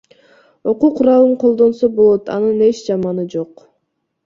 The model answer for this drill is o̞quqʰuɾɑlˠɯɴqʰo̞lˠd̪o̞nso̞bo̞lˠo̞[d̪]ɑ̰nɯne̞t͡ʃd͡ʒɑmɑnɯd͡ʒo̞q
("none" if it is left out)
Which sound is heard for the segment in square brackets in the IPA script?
t̪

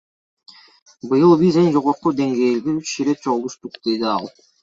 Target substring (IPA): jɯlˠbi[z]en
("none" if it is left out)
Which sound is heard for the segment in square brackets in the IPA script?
z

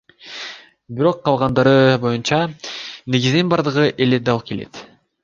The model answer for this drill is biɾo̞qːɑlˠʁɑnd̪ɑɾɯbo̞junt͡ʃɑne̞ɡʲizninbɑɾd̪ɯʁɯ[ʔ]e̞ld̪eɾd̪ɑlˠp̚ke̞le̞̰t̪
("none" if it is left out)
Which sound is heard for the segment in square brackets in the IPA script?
ʔ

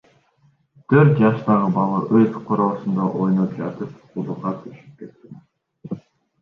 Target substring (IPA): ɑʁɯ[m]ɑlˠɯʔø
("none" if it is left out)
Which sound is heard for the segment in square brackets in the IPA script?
b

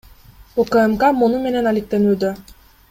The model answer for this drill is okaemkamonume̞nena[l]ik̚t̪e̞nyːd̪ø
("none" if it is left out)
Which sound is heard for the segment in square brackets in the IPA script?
l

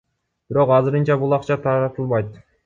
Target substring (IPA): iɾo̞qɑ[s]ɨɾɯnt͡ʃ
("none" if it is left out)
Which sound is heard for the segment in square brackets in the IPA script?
z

